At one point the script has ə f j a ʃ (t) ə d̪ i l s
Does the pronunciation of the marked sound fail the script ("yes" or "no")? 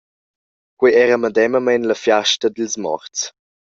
no